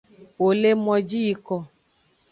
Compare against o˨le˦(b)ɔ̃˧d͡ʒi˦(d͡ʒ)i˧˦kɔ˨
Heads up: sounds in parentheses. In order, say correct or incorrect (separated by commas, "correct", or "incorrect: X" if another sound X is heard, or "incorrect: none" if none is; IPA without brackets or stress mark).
incorrect: m, incorrect: none